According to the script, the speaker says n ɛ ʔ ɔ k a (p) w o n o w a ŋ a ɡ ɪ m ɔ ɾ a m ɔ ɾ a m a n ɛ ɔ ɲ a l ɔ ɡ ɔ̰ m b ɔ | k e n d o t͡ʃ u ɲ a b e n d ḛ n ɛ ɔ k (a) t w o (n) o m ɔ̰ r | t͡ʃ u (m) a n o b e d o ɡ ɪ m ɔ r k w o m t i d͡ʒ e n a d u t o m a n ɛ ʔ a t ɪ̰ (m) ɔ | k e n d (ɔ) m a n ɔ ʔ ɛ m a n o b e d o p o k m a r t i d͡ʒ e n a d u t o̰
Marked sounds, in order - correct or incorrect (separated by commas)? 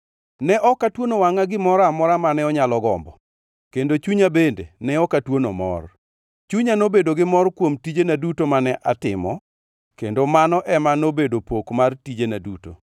incorrect, correct, correct, incorrect, correct, incorrect